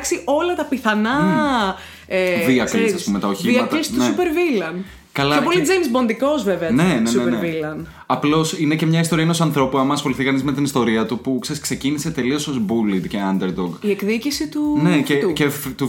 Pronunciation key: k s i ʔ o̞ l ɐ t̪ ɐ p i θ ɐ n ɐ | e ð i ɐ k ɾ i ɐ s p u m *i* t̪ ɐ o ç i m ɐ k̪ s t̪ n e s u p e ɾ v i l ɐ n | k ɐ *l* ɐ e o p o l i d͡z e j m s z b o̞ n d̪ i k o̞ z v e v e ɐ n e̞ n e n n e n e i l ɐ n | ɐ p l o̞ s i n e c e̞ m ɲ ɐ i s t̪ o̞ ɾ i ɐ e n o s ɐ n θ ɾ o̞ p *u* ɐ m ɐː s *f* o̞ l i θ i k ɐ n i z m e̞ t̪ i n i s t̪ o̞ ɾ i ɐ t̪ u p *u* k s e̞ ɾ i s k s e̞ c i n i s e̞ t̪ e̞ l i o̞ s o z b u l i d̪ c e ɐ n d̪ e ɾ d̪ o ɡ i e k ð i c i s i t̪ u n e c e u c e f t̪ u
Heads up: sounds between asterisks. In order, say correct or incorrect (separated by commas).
incorrect, correct, correct, incorrect, correct